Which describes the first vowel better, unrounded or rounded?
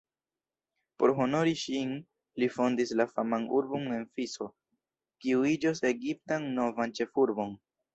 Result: rounded